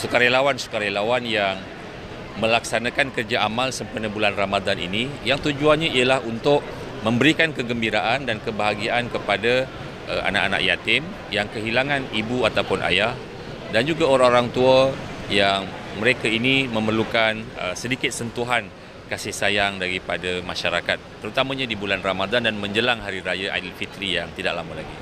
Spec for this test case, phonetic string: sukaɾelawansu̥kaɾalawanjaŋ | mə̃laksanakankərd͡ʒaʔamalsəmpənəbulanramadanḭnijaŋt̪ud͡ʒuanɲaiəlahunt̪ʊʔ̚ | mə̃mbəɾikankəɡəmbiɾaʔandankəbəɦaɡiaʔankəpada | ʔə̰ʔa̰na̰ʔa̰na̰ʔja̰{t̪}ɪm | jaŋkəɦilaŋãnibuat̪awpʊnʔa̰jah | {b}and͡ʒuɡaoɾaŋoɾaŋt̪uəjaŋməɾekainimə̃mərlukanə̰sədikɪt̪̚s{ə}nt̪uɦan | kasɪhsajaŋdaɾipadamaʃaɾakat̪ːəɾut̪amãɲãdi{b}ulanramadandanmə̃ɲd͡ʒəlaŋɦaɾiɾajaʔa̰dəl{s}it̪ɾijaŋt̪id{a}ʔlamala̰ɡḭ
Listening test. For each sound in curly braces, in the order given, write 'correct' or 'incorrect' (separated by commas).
correct, incorrect, correct, correct, incorrect, correct